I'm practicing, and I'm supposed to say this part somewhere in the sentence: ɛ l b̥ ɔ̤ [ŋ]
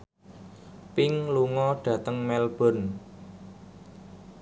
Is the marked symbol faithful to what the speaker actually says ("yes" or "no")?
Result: no